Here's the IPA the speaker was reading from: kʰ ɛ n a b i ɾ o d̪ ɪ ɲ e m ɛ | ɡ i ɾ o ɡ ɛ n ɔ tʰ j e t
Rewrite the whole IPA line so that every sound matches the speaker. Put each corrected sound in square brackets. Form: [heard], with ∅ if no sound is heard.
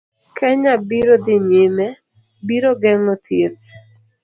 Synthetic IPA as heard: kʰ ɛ [ɲ] a b i ɾ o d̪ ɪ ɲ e m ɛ | [b] i ɾ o ɡ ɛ [ŋ] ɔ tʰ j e t